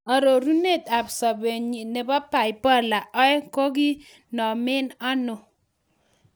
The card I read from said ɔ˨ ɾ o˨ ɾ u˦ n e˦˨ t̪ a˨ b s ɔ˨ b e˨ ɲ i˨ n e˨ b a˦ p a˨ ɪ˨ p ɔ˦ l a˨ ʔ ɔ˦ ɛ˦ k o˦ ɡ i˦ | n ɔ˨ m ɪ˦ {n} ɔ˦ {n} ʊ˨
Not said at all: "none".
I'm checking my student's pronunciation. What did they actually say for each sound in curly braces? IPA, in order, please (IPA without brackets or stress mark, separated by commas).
n, n